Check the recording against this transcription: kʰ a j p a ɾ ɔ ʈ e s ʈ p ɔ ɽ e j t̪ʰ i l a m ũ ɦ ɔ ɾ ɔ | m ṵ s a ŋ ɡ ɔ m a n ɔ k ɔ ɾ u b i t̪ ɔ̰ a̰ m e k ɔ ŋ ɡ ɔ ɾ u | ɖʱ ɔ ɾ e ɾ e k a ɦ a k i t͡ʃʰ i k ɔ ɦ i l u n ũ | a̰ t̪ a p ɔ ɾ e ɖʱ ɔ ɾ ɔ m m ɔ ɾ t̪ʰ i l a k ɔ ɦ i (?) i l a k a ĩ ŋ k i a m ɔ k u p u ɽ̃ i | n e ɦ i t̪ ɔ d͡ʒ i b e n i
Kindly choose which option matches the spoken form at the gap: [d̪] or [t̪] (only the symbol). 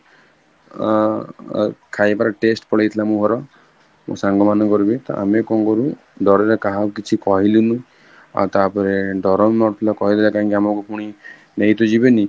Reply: d̪